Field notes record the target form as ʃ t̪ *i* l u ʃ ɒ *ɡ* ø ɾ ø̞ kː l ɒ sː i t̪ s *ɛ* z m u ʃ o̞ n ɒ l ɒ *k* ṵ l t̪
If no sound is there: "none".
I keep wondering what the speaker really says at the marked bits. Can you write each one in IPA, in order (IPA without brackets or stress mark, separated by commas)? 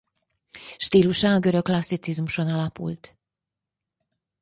iː, ɡ, i, p